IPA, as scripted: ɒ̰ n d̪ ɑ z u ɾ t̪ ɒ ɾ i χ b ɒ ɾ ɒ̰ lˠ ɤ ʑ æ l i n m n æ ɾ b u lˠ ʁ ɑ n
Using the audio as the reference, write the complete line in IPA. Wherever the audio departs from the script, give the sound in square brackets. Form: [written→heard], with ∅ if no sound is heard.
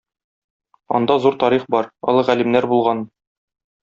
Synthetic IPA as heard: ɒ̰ n d̪ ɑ z u ɾ t̪ ɒ ɾ i χ b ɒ ɾ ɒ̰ lˠ ɤ [ʑ→ʁ] æ l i [n→∅] m n æ ɾ b u lˠ ʁ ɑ n